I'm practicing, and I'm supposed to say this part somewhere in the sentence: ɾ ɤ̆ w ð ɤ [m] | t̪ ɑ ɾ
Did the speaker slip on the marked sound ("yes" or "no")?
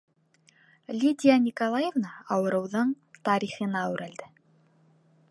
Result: yes